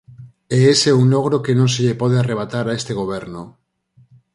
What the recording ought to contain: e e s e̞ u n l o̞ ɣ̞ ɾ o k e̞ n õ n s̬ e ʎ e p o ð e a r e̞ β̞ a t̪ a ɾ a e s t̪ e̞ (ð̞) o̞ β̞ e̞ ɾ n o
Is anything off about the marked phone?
yes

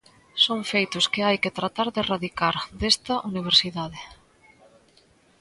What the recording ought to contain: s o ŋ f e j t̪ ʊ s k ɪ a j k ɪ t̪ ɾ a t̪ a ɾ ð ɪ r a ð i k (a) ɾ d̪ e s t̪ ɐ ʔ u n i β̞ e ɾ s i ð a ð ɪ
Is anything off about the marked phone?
no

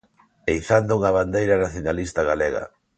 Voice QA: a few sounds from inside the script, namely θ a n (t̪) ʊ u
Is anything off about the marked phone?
yes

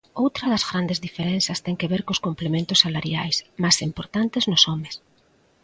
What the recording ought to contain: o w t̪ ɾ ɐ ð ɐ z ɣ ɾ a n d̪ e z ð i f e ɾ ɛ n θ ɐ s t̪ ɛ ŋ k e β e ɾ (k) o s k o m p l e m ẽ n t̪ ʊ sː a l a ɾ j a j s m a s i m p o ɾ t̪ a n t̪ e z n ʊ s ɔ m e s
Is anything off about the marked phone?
no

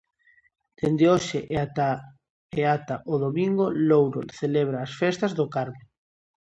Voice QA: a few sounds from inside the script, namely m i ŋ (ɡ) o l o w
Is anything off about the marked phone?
no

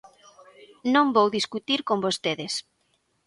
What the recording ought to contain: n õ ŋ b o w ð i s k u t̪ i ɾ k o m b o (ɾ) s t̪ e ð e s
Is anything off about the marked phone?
yes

